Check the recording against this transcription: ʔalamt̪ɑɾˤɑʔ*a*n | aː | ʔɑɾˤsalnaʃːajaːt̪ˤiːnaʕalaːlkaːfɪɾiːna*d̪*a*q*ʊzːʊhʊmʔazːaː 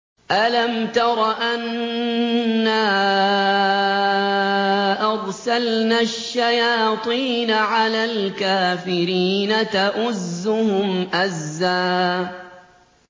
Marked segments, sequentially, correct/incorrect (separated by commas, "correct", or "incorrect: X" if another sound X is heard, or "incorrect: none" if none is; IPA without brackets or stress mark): correct, incorrect: t̪, incorrect: ʔ